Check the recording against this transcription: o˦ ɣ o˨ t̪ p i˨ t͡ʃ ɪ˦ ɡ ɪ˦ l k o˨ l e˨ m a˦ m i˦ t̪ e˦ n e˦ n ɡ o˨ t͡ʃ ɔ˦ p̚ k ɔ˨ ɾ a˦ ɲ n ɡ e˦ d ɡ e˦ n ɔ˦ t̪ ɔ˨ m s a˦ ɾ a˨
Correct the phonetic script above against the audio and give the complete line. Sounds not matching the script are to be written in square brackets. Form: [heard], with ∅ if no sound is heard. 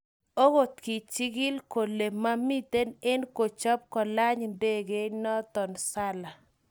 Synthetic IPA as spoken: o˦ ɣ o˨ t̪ [k] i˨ t͡ʃ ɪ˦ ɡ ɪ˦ l k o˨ l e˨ m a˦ m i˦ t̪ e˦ n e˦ n [k] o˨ t͡ʃ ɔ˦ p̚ k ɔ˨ [l] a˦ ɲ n [d] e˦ [∅] ɡ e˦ n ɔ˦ t̪ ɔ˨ [n] s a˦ [l] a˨